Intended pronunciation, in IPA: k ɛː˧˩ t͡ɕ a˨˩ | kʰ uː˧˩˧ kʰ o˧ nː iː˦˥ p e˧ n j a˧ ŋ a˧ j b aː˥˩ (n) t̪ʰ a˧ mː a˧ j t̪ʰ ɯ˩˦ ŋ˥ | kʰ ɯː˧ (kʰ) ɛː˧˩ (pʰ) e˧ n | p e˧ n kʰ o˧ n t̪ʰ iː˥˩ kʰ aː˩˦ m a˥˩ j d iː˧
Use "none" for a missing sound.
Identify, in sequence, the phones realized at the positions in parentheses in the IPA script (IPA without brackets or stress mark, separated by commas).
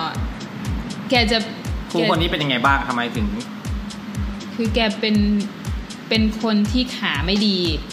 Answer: ŋ, k, p